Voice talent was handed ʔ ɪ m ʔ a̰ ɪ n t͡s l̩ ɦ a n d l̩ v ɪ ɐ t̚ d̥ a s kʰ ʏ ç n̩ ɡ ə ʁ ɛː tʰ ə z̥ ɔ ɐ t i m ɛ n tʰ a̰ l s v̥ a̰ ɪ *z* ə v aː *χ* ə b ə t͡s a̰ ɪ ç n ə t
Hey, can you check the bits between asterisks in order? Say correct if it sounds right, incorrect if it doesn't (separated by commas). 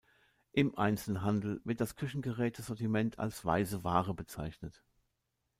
correct, incorrect